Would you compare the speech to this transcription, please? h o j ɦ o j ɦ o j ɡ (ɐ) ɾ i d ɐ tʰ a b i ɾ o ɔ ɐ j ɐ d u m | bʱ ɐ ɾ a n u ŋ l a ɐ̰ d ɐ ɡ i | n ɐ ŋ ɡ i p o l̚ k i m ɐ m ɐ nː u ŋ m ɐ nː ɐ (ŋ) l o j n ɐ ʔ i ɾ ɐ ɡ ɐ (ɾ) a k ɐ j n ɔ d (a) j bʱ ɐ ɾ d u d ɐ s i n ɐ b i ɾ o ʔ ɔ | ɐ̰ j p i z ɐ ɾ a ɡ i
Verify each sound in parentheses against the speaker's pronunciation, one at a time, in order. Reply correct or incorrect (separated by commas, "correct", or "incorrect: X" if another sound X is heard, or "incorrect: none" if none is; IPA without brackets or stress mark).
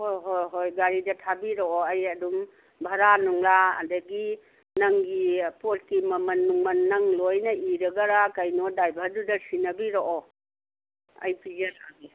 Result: incorrect: a, correct, correct, correct